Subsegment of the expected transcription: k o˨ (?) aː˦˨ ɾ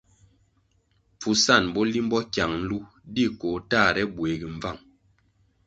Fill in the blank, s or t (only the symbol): t